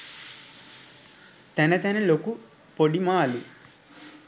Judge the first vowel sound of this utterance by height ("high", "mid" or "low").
low